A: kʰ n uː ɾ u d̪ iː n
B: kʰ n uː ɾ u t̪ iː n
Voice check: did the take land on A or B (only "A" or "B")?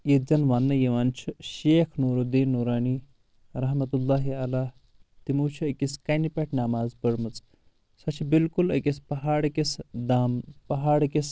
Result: A